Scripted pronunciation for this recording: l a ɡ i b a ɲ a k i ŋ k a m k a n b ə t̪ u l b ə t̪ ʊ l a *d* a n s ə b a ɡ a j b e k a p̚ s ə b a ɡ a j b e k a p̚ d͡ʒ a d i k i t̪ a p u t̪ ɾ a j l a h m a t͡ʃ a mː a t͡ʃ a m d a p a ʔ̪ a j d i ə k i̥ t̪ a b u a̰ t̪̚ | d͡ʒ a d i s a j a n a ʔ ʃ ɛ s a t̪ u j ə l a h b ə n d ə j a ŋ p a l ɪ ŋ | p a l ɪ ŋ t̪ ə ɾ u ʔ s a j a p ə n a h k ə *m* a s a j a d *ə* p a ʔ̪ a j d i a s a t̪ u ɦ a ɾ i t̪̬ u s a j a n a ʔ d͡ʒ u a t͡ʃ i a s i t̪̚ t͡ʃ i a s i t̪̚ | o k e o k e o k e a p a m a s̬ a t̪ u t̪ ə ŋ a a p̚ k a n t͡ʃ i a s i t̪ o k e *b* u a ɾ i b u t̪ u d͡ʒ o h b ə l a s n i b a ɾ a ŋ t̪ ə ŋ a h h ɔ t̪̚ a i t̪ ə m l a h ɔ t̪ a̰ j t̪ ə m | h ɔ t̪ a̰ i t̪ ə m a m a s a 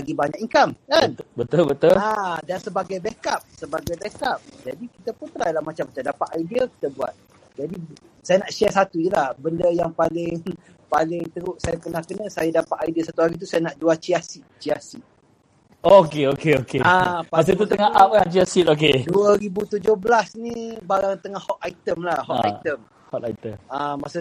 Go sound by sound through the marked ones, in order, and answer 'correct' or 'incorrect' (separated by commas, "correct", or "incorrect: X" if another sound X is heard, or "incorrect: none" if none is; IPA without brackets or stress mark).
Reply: correct, incorrect: n, incorrect: a, incorrect: d